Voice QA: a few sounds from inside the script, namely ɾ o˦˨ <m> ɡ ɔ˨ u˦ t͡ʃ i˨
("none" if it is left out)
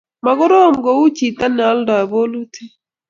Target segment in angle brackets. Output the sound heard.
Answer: m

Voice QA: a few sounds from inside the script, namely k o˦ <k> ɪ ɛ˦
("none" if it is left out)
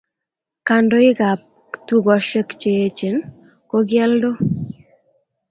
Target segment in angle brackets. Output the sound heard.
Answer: ɡ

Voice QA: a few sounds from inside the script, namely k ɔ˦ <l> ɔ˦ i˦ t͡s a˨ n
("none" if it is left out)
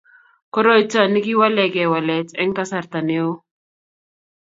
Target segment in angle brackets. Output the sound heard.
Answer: ɾ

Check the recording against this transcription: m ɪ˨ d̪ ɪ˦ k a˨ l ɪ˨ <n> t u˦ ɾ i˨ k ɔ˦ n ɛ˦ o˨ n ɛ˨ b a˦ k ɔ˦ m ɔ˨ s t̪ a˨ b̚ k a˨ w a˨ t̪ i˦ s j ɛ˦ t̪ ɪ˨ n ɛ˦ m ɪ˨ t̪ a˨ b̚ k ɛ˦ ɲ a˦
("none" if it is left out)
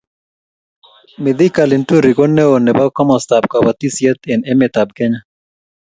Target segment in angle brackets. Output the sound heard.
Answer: n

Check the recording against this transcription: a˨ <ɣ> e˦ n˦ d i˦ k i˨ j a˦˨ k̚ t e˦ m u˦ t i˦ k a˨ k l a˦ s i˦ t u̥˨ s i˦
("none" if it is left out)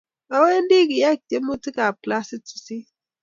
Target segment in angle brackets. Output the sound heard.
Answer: w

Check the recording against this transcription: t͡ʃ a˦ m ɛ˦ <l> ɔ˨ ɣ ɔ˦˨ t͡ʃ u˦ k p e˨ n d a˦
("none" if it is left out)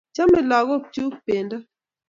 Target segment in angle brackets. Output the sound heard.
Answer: l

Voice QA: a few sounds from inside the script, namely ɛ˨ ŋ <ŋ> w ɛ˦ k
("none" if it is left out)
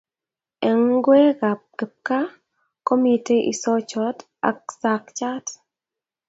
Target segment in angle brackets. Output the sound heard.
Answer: ɡ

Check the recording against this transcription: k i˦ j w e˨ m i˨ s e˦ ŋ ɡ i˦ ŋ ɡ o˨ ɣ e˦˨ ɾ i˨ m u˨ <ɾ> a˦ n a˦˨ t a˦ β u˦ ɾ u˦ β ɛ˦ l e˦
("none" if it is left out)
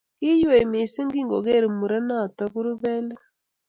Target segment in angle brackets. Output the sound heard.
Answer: ɾ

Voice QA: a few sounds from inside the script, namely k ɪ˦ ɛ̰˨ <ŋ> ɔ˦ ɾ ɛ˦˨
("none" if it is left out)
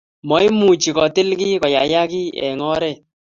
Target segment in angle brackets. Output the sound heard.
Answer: ŋ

